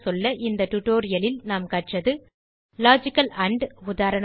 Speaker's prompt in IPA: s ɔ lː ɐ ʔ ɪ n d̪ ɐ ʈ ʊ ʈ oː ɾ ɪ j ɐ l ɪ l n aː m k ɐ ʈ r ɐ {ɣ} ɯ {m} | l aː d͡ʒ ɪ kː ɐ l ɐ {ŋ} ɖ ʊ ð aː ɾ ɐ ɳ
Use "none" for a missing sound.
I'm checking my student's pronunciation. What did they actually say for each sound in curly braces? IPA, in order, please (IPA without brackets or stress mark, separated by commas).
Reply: ð, none, ɳ